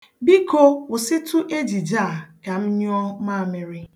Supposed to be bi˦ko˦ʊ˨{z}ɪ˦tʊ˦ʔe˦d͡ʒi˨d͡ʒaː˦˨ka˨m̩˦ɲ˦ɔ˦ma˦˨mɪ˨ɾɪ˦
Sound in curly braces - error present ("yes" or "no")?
yes